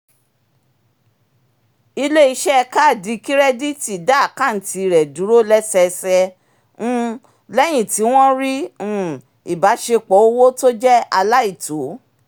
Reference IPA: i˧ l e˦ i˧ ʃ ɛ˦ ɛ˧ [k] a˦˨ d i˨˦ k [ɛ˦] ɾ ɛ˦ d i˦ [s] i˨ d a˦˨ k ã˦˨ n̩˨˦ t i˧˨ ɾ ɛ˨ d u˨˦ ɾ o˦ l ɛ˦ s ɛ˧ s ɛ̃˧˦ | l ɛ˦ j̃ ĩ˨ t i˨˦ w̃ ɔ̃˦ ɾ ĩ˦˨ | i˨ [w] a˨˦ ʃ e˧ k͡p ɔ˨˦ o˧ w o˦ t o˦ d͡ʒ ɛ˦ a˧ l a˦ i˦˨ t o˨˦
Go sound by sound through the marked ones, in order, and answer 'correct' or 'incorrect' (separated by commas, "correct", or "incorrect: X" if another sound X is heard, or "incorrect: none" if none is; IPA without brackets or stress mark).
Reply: correct, incorrect: i˦, incorrect: t, incorrect: b